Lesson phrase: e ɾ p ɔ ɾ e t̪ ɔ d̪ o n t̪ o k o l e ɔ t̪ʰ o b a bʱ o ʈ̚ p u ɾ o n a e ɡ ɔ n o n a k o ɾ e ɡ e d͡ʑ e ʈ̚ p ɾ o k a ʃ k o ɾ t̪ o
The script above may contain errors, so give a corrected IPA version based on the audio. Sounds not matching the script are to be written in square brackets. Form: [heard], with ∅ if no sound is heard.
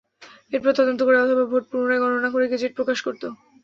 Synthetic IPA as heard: e ɾ p ɔ ɾ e t̪ ɔ d̪ o n t̪ o k o [ɾ] e ɔ t̪ʰ o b a bʱ o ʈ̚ p u ɾ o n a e ɡ ɔ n o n a k o ɾ e ɡ e d͡ʑ e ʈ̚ p ɾ o k a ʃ k o ɾ t̪ o